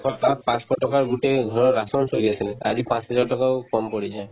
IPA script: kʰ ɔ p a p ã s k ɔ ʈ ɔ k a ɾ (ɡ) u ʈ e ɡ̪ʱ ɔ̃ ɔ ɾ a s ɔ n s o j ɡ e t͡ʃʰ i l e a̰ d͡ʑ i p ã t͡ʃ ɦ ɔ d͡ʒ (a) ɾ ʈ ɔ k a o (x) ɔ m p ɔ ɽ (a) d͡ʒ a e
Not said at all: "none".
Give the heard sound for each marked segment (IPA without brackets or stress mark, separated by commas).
ɡ, a, k, i